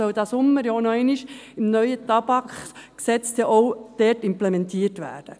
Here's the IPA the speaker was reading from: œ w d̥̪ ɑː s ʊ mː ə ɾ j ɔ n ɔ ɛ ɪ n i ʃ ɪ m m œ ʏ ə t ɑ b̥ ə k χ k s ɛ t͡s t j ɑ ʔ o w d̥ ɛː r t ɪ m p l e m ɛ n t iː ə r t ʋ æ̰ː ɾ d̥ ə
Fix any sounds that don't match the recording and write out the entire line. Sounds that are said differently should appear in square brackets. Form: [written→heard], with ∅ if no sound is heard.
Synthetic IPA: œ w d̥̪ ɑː s ʊ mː ə ɾ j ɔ n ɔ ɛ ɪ n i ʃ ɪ m [m→n] œ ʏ ə t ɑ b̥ [ə→ɑ] k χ k s ɛ t͡s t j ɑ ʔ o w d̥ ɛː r t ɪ m p l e m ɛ n t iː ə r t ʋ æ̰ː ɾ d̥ ə